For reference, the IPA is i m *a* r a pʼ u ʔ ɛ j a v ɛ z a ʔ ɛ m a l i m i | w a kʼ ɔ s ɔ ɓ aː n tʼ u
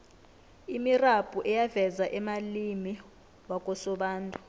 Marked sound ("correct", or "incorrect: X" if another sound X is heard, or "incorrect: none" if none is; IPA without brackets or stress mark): incorrect: i